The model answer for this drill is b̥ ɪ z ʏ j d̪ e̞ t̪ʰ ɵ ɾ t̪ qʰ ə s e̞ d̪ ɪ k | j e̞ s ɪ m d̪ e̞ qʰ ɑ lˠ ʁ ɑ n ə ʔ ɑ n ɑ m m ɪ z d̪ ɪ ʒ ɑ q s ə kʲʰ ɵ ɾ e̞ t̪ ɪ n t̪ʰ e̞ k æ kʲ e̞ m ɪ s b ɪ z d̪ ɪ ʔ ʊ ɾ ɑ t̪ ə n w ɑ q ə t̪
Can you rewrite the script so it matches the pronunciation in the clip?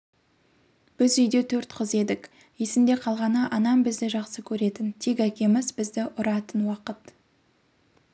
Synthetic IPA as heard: b̥ ɪ z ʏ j d̪ e̞ t̪ʰ ɵ ɾ t̪ qʰ ə z e̞ d̪ ɪ k | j e̞ s ɪ m d̪ e̞ qʰ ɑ lˠ ʁ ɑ n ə ʔ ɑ n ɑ m b ɪ z d̪ ɪ ʒ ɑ q s ə kʲʰ ɵ ɾ e̞ t̪ ɪ n t̪ʰ e̞ k æ kʲ e̞ m ɪ z b ɪ z d̪ ɪ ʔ ʊ ɾ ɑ t̪ ə n w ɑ q ə t̪